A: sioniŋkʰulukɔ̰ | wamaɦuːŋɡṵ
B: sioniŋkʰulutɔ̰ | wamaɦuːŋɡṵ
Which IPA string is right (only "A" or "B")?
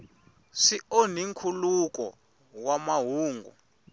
A